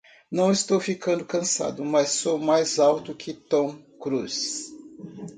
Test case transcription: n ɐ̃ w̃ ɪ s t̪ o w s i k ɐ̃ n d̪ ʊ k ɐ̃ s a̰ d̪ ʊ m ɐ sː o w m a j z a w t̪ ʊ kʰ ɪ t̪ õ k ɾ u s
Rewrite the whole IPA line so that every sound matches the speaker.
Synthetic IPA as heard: n ɐ̃ w̃ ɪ s t̪ o w f i k ɐ̃ n d̪ ʊ k ɐ̃ s a̰ d̪ ʊ m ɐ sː o w m a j z a w t̪ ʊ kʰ ɪ t̪ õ k ɾ u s